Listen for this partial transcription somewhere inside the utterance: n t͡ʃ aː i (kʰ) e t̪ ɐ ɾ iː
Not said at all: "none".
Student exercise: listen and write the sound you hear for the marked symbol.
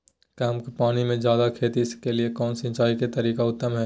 k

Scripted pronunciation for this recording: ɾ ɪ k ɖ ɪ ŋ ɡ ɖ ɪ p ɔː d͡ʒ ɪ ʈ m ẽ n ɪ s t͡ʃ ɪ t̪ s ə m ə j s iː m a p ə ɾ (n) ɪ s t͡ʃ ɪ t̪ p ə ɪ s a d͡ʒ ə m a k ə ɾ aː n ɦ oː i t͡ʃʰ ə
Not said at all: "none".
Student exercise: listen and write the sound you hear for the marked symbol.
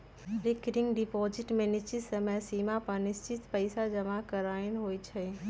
n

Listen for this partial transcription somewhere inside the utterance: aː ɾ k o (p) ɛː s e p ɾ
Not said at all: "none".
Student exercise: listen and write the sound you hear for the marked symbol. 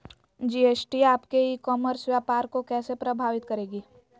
k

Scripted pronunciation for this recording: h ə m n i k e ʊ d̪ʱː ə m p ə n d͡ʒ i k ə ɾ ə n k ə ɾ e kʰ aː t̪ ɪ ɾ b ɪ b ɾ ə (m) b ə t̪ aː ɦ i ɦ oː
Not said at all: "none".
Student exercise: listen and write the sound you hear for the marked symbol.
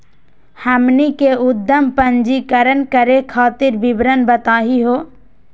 n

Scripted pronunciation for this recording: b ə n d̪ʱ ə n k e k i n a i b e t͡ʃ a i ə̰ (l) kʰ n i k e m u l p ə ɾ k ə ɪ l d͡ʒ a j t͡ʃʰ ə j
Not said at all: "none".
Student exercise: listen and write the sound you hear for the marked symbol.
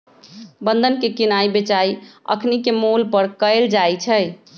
none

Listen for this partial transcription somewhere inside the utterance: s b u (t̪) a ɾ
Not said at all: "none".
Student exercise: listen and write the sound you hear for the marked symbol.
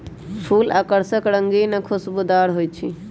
d̪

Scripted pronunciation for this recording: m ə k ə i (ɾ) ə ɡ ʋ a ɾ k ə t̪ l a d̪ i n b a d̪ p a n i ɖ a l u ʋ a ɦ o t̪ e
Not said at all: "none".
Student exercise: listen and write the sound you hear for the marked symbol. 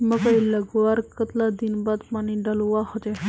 l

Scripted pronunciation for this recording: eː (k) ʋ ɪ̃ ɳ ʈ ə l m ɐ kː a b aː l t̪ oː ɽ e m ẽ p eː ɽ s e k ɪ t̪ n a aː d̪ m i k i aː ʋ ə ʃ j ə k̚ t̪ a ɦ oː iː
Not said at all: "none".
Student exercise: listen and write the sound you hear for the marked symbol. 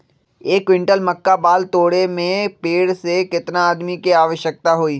k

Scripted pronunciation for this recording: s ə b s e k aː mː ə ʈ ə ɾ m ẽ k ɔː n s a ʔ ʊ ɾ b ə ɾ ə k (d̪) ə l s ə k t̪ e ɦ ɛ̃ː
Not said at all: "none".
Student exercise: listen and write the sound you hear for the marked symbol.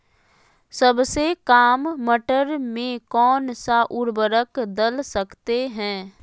d̪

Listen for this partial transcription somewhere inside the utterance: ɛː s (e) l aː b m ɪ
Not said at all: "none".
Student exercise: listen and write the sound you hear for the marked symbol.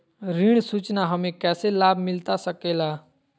e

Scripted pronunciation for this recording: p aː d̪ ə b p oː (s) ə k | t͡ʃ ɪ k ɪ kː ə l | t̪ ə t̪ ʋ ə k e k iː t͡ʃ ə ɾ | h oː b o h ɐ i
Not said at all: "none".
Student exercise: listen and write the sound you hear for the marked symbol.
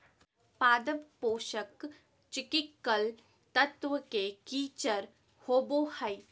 ʃ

